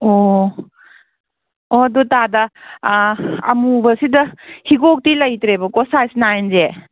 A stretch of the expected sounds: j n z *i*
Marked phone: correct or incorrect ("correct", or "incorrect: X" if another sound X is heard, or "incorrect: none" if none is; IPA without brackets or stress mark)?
incorrect: e